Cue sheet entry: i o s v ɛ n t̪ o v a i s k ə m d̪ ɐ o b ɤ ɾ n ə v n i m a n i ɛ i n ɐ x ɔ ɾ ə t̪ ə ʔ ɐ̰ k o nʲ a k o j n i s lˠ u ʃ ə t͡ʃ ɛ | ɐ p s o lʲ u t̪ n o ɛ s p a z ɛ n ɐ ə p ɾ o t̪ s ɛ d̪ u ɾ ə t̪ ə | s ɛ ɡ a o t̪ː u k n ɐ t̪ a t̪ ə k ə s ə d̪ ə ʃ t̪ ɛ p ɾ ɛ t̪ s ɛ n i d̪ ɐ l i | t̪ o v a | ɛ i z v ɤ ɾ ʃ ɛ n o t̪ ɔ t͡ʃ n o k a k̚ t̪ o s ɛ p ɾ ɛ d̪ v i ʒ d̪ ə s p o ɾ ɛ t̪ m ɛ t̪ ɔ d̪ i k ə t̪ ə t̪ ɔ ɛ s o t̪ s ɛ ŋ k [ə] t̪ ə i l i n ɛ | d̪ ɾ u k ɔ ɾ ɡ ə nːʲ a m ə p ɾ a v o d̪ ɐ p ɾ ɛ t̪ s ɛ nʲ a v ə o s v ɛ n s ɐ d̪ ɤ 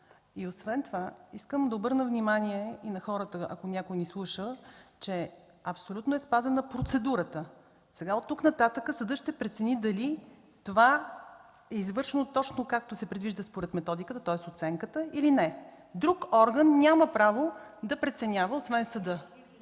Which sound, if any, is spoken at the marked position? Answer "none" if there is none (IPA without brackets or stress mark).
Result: ə